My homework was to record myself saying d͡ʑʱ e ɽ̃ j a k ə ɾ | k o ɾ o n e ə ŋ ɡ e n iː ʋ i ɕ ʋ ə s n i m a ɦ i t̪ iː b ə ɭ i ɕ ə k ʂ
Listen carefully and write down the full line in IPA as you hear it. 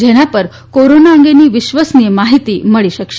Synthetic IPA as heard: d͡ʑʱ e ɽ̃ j a p ə ɾ | k o ɾ o n a ə ŋ ɡ e n iː ʋ i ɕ ʋ ə s n i m a ɦ i t̪ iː m ə ɭ i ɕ ə k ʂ

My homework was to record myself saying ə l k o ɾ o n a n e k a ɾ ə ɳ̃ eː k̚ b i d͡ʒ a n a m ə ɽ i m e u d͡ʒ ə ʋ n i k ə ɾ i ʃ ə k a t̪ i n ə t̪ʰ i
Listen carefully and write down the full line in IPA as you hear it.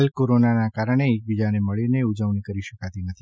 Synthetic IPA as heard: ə l k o ɾ o n a n a k a ɾ ə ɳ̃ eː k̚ b i d͡ʒ a n e m ə ɭ i n e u d͡ʒ ə ʋ n i k ə ɾ i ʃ ə k a t̪ i n ə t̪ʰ i

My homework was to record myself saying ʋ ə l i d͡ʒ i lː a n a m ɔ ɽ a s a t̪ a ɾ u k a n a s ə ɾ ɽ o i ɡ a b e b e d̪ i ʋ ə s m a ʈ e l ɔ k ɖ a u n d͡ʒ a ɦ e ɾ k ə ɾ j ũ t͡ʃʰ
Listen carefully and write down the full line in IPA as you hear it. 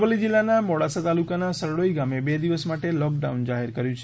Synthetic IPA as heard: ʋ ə l i d͡ʒ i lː a n a m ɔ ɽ a s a t̪ a l u k a n a s ə ɾ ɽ o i ɡ a m e b e d̪ i ʋ ə s m a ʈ e l ɔ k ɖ a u n d͡ʒ a ɦ e ɾ k ə ɾ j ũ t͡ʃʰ

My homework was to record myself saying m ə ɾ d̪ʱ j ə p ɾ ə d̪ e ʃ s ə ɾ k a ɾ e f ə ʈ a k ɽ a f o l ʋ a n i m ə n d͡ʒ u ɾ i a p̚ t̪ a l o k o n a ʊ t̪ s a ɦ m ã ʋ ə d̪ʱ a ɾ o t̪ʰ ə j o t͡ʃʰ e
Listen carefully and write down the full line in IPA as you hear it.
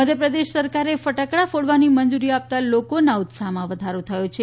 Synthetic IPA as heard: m ə d̪ʱ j ə p ɾ ə d̪ e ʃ s ə ɾ k a ɾ e f ə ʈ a k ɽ a f o ɽ ʋ a n i m ə n d͡ʒ u ɾ i a p̚ t̪ a l o k o n a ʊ t̪ s a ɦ m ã ʋ ə d̪ʱ a ɾ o t̪ʰ ə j o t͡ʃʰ e

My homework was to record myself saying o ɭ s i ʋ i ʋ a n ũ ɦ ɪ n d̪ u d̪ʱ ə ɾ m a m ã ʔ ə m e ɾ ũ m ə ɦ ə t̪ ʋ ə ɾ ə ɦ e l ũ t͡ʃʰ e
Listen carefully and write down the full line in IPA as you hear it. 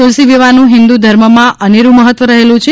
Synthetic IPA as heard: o l s i ʋ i ʋ a n ũ ɦ ɪ n d̪ u d̪ʱ ə ɾ m ə m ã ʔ ə n e ɾ ũ m ə ɦ ə t̪ ʋ ə ɾ ə ɦ e l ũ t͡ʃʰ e

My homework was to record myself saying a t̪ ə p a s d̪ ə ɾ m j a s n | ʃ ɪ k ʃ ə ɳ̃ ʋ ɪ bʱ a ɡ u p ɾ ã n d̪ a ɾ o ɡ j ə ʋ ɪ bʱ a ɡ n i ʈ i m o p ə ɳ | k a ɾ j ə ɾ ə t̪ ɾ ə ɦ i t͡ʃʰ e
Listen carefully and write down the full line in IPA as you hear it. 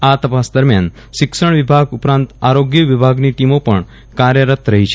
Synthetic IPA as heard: a t̪ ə p a s d̪ ə ɾ m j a n | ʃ ɪ k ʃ ə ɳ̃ ʋ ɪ bʱ a ɡ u p ɾ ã n t̪ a ɾ o ɡ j ə ʋ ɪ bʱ a ɡ n i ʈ i m o p ə ɳ | k a ɾ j ə ɾ ə t̪ ɾ ə ɦ i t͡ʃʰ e

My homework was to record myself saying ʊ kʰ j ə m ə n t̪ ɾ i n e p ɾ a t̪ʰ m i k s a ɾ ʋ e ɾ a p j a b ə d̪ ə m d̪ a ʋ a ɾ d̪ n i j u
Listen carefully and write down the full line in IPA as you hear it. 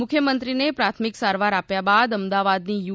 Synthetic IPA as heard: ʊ kʰ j ə m ə n t̪ ɾ i n e p ɾ a t̪ʰ m i k s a ɾ ʋ a ɾ a p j a b a d̪ ə m d̪ a ʋ a d̪ n i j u

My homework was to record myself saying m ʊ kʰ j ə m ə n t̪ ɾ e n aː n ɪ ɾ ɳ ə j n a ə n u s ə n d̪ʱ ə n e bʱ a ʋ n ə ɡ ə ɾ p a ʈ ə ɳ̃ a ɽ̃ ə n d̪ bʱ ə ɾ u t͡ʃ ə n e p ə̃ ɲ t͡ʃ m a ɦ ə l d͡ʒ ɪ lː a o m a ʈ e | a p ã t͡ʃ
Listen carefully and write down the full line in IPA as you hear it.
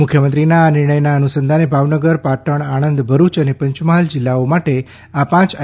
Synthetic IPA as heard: m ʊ kʰ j ə m ə n t̪ ɾ i n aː n ɪ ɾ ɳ ə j n a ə n u s ə n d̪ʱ a n e bʱ a ʋ n ə ɡ ə ɾ p a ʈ ə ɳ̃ a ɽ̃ ə n d̪ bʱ ə ɾ u t͡ʃ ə n e p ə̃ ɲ t͡ʃ m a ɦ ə l d͡ʒ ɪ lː a o m a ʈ e | a p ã t͡ʃ

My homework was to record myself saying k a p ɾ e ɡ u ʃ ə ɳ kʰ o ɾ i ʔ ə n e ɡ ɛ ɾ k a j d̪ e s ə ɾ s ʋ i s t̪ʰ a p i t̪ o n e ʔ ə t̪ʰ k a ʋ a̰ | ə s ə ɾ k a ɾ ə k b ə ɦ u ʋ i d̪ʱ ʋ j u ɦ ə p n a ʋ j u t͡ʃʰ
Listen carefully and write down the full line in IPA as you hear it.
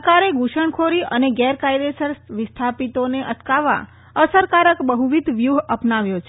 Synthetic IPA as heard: k a ɾ e ɡ u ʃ ə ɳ kʰ o ɾ i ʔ ə n e ɡ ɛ ɾ k a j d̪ e s ə ɾ s ʋ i s t̪ʰ a p i t̪ o n e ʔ ə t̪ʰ k a ʋ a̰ | ə s ə ɾ k a ɾ ə k b ə ɦ u ʋ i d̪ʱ ʋ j u ɦ ə p n a ʋ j o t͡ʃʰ

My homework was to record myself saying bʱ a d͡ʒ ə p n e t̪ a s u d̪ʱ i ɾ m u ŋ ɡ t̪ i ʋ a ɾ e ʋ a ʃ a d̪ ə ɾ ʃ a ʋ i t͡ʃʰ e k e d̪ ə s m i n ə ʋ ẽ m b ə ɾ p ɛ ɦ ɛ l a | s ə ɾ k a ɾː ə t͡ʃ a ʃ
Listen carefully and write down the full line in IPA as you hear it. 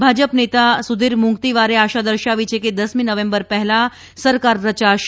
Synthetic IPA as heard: bʱ a d͡ʒ ə p n e t̪ a s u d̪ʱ i ɾ m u ŋ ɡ t̪ i ʋ a ɾ e a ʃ a d̪ ə ɾ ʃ a ʋ i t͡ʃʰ e k e d̪ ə s m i n ə ʋ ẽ m b ə ɾ p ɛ ɦ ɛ l a | s ə ɾ k a ɾː ə t͡ʃ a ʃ

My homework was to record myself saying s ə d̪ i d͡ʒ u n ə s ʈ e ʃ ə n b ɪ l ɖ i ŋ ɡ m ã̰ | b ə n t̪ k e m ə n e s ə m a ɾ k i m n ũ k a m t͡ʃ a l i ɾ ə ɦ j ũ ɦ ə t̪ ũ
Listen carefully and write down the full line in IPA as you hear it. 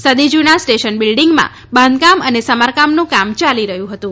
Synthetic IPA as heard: s ə d̪ i d͡ʒ u n a s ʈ e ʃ ə n b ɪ l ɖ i ŋ ɡ m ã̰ | b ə n d̪ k a m ə n e s ə m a ɾ k a m n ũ k a m t͡ʃ a l i ɾ ə ɦ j ũ ɦ ə t̪ ũ

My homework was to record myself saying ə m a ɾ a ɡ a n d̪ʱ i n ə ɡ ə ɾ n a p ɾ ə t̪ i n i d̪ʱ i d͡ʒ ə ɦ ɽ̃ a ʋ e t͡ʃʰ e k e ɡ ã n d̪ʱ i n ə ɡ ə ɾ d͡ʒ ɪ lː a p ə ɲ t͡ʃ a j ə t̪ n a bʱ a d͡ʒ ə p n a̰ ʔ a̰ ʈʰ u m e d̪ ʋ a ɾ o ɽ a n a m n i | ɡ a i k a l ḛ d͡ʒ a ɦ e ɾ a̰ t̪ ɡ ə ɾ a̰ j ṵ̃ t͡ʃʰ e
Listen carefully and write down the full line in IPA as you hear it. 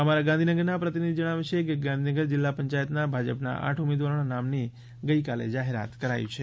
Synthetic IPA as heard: ə m a ɾ a ɡ a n d̪ʱ i n ə ɡ ə ɾ n a p ɾ ə t̪ i n i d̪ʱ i d͡ʒ ə ɽ̃ a ʋ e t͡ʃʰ e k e ɡ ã n d̪ʱ i n ə ɡ ə ɾ d͡ʒ ɪ lː a p ə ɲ t͡ʃ a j ə t̪ n a bʱ a d͡ʒ ə p n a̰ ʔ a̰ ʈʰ u m e d̪ ʋ a ɾ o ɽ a n a m n i | ɡ ə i k a l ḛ d͡ʒ a ɦ e ɾ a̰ t̪ k ə ɾ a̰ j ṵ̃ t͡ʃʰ e

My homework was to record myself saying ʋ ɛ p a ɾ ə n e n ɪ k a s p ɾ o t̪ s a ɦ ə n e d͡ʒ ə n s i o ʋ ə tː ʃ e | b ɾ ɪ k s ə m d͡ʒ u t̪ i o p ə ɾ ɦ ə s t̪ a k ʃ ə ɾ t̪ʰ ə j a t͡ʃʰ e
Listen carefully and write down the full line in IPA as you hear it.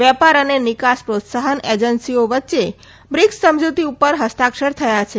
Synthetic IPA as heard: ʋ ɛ p a ɾ ə n e n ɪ k a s p ɾ o t̪ s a ɦ ə n e d͡ʒ ə n s i o ʋ ə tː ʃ e | b ɾ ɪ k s ə m d͡ʒ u t̪ i u p ə ɾ ɦ ə s t̪ a k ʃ ə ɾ t̪ʰ ə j a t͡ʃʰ e

